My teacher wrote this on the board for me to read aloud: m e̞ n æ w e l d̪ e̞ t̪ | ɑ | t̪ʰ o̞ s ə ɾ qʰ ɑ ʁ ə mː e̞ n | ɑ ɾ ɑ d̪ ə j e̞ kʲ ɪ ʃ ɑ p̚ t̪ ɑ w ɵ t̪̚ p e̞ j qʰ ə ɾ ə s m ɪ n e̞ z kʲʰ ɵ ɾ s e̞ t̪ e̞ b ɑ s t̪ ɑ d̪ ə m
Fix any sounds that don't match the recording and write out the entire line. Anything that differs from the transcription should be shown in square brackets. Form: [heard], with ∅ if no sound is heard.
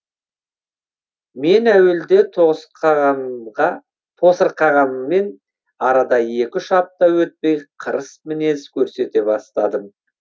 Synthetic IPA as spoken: m e̞ n æ w e l d̪ e̞ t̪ | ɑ | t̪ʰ o̞ s ə ɾ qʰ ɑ ʁ [ɑ] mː e̞ n | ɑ ɾ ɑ d̪ [ɑ] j e̞ kʲ ɪ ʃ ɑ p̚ t̪ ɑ w ɵ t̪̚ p e̞ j qʰ ə ɾ ə s m ɪ n e̞ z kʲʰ ɵ ɾ s e̞ t̪ e̞ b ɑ s t̪ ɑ d̪ ə m